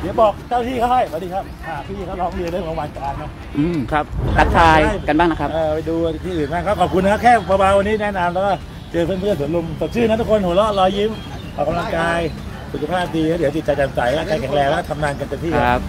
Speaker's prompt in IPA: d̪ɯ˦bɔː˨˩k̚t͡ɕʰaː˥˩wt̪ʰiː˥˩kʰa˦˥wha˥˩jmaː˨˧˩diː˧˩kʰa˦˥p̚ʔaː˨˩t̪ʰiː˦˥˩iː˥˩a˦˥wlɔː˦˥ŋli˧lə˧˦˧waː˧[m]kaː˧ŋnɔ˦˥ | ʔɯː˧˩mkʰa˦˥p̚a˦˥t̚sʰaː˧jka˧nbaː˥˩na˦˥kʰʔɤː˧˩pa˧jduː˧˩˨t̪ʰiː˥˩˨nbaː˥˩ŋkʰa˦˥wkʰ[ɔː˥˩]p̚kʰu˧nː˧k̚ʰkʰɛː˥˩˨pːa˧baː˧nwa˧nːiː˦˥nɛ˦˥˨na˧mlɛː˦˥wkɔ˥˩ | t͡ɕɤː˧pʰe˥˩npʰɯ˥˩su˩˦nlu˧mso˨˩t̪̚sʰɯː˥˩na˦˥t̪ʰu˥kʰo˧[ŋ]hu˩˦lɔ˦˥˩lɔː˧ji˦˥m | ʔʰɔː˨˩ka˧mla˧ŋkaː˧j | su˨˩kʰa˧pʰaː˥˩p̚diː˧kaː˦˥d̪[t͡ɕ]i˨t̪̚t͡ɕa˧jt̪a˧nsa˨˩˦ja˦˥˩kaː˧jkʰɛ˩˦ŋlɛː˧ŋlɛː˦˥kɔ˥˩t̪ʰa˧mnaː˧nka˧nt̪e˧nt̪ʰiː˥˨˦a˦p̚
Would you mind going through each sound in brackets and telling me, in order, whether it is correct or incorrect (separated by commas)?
incorrect, incorrect, incorrect, correct